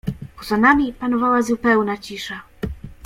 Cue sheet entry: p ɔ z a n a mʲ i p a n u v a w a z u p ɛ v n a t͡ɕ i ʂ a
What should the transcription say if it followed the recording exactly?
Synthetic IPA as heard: p ɔ z a n a mʲ i p a n ɔ v a w a z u p ɛ w n a t͡ɕ i ʂ a